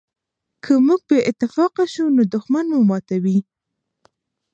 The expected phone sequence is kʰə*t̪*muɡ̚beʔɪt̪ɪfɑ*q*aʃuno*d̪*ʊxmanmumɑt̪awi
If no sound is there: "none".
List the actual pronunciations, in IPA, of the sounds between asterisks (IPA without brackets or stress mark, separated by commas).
none, q, d̪